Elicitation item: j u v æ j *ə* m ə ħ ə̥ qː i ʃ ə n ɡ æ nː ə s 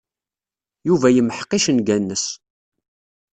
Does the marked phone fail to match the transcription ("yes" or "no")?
no